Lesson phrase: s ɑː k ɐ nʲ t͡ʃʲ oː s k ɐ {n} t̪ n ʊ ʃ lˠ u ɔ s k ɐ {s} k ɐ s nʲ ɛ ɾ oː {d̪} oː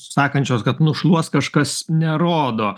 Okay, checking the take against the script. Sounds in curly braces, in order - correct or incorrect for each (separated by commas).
incorrect, incorrect, correct